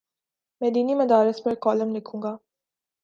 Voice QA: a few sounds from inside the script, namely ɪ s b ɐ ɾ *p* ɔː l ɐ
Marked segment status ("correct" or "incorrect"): incorrect